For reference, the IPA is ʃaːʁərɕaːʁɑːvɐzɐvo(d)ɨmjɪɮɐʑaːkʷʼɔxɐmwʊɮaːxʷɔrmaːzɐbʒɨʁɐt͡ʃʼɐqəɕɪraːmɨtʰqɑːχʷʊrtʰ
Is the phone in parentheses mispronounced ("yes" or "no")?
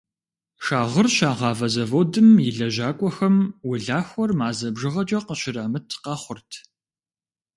no